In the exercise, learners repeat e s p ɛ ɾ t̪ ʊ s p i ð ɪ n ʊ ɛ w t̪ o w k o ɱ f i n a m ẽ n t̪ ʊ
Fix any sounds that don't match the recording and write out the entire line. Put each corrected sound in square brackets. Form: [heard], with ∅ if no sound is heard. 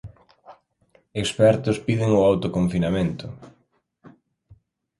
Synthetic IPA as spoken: e s p ɛ ɾ t̪ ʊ s p i ð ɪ [ŋ] ʊ [a] w t̪ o [∅] k o ɱ f i n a m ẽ n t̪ ʊ